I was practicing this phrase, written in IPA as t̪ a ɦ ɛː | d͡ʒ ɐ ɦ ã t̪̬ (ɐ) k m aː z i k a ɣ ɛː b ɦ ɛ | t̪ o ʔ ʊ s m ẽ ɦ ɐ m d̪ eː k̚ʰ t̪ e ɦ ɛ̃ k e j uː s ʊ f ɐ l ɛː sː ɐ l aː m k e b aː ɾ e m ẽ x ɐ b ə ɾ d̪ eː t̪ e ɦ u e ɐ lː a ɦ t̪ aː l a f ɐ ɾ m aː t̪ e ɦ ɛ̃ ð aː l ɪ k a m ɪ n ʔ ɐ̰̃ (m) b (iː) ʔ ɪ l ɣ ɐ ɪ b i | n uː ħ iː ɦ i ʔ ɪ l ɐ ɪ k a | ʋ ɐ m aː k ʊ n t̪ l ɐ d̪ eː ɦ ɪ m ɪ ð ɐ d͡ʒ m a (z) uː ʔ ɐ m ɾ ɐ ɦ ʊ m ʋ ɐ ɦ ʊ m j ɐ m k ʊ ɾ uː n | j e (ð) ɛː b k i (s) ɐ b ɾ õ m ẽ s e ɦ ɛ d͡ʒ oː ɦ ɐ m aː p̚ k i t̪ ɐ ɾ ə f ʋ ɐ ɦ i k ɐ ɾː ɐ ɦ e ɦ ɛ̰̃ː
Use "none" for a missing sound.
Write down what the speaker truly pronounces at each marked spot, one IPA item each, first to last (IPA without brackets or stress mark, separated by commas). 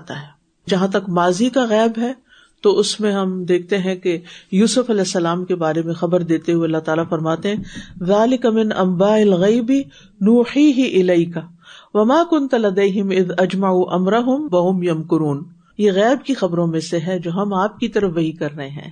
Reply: ɐ, m, aː, ʕ, ɣ, x